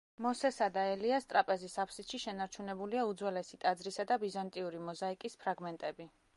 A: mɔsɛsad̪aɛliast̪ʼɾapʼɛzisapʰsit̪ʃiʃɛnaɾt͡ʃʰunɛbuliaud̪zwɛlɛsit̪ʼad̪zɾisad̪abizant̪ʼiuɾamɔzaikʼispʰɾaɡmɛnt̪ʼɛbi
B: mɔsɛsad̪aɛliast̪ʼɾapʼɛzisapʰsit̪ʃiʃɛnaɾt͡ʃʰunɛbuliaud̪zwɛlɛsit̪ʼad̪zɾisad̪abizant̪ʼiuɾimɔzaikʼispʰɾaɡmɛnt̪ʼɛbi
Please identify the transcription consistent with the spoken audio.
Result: B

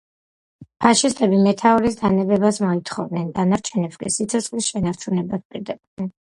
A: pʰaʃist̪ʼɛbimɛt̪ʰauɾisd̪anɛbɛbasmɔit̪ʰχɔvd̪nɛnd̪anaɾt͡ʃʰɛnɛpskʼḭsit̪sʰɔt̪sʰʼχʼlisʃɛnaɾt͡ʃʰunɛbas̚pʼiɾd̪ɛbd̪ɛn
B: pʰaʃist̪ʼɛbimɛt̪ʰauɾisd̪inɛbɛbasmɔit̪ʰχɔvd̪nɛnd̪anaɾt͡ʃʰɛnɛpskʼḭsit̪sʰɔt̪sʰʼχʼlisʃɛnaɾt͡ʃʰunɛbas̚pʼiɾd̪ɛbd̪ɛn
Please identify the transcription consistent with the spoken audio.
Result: A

